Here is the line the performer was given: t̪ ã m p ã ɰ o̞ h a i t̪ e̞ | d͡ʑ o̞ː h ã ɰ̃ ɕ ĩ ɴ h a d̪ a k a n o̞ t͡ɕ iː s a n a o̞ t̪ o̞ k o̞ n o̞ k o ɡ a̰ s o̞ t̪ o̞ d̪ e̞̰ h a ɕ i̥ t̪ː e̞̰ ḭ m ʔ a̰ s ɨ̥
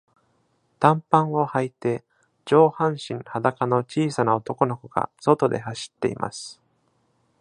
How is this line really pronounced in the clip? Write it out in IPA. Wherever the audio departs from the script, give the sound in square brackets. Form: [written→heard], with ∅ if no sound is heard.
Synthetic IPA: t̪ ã m p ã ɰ o̞ h a i t̪ e̞ | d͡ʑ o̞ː h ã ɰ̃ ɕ ĩ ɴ h a d̪ a k a n o̞ t͡ɕ iː s a n a o̞ t̪ o̞ k o̞ n o̞ k o ɡ a̰ s o̞ t̪ o̞ d̪ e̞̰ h a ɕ i̥ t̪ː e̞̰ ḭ m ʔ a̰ s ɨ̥